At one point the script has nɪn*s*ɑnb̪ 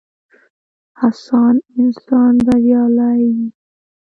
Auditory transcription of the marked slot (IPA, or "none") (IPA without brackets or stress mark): s